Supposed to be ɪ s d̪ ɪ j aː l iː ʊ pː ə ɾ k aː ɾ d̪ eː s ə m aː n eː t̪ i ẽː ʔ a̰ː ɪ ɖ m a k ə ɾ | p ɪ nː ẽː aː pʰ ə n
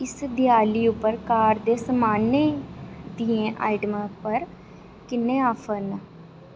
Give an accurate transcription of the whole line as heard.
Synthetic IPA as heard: ɪ s d̪ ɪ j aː l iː ʊ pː ə ɾ k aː ɾ d̪ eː s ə m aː n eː d̪ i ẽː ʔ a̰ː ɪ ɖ m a p ə ɾ | k ɪ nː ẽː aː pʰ ə n